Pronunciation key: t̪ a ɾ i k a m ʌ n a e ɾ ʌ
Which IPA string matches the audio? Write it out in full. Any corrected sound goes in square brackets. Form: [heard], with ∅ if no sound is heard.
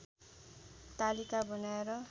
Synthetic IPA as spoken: t̪ a [l] i k a [b] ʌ n a e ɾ ʌ